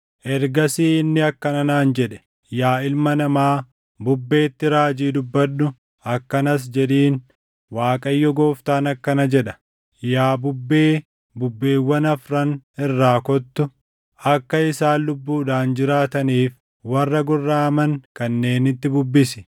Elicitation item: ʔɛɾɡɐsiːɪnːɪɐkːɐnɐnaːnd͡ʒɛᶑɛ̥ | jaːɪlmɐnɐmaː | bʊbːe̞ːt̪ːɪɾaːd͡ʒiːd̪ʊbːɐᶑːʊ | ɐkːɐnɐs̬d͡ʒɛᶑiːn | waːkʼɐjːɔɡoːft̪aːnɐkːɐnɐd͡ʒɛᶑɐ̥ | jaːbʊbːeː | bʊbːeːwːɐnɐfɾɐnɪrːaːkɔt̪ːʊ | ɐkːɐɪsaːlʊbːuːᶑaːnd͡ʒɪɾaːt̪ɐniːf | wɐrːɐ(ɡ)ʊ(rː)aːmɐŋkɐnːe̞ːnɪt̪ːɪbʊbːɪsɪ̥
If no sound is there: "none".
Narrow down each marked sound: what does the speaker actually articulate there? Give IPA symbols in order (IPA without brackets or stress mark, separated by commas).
ɡ, rː